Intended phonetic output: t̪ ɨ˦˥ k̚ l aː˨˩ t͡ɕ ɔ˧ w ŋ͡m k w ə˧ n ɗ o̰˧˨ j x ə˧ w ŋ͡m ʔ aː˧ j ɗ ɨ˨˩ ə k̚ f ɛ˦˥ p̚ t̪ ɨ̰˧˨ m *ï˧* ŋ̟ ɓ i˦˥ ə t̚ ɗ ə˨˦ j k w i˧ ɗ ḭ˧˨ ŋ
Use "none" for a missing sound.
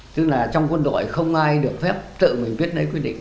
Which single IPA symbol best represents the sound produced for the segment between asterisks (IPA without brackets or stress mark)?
ï˨˩